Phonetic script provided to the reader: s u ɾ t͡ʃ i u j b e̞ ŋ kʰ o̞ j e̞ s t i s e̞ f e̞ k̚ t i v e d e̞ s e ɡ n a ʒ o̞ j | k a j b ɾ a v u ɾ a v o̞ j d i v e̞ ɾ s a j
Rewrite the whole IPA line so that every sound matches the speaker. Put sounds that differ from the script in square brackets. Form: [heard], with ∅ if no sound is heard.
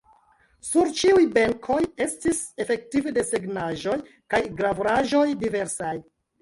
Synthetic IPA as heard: s u ɾ t͡ʃ i u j b e̞ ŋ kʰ o̞ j e̞ s t i s e̞ f e̞ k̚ t i v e d e̞ s e ɡ n a ʒ o̞ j | k a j [ɡ] ɾ a v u ɾ a [ʒ] o̞ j d i v e̞ ɾ s a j